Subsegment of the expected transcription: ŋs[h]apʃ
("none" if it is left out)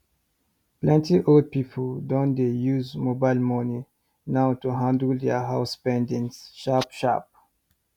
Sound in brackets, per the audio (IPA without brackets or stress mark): ʃ